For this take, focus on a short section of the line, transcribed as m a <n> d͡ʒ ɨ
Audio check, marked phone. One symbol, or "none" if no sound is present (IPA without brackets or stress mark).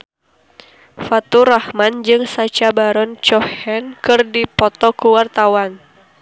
n